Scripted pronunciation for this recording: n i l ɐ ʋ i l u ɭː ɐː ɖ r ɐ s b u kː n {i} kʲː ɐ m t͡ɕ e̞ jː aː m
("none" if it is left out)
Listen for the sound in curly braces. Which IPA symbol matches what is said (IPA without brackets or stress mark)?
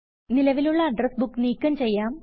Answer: iː